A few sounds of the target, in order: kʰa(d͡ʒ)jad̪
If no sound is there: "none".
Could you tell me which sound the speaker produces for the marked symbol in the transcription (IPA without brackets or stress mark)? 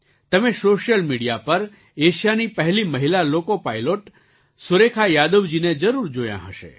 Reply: none